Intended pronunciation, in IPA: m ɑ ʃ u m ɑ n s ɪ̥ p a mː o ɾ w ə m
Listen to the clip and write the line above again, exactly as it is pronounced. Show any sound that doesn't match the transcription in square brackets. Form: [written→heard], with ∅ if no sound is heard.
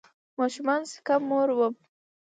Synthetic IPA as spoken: m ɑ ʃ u m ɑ n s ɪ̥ [p→k] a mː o ɾ w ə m